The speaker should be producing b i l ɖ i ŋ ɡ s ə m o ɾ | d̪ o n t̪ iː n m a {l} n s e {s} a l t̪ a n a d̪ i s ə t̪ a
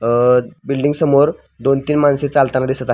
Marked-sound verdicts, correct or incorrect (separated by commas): incorrect, incorrect